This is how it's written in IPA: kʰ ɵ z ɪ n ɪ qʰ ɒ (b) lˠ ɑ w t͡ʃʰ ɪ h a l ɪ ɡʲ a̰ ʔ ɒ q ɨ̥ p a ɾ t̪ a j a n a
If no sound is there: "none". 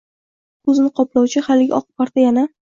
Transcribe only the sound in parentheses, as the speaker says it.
p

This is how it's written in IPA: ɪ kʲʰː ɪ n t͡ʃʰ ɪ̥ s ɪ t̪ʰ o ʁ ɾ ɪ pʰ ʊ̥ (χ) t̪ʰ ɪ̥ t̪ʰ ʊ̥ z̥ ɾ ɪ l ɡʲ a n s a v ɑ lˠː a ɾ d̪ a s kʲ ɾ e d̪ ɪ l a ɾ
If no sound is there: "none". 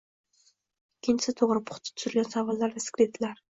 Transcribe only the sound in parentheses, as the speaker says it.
χ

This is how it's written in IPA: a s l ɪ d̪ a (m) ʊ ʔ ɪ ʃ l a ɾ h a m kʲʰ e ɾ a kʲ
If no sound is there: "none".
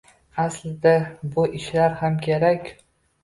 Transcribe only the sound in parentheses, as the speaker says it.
b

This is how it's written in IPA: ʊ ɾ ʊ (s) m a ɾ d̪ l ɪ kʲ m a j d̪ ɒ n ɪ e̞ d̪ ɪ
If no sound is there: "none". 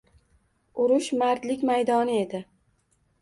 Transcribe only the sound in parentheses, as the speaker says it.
ʃ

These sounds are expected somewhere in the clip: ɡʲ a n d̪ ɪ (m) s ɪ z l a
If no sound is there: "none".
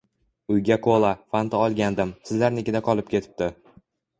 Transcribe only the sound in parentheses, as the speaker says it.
m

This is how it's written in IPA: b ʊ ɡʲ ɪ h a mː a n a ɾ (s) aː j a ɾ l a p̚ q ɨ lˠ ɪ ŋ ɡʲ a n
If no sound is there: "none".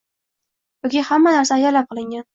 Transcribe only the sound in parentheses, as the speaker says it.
s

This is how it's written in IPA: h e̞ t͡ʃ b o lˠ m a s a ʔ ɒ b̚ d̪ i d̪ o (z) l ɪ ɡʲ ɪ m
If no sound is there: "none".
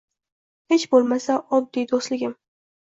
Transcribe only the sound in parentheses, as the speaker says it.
s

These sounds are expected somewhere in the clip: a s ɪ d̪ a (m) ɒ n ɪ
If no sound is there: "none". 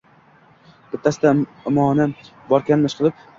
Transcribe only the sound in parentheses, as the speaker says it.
m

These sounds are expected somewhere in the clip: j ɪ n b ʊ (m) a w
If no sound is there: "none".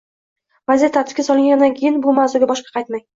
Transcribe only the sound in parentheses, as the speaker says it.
m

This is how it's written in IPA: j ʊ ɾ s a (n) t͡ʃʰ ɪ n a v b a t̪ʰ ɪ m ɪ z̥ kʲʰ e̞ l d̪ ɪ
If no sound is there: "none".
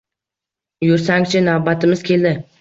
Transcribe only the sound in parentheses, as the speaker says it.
ŋ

